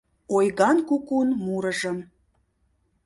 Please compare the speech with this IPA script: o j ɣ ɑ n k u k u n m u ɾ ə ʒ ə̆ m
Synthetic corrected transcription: o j ɣ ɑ n k u k u n m u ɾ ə ʒ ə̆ m